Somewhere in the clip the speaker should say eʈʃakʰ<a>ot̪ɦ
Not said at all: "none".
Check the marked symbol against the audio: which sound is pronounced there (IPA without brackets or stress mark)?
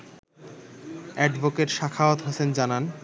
a